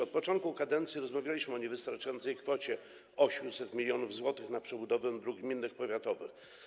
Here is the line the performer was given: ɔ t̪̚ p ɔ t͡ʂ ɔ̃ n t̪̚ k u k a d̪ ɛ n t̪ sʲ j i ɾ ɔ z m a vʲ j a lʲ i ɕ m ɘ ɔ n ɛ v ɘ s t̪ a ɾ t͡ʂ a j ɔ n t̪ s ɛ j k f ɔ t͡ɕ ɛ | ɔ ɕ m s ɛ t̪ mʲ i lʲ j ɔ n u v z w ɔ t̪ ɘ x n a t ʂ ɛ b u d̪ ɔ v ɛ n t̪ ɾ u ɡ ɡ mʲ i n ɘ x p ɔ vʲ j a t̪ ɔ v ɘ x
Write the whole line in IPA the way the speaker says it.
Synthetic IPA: ɔ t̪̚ p ɔ t͡ʂ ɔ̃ n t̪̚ k u k a d̪ ɛ n t̪ sʲ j i ɾ ɔ z m a vʲ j a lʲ i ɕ m ɘ ɔ ɲ ɛ v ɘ s t̪ a ɾ t͡ʂ a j ɔ n t̪ s ɛ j k f ɔ t͡ɕ ɛ | ɔ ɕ m s ɛ t̪ mʲ i lʲ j ɔ n u v z w ɔ t̪ ɘ x n a p ʂ ɛ b u d̪ ɔ v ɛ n d̪ ɾ u ɡ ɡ mʲ i nː ɘ x p ɔ vʲ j a t̪ ɔ v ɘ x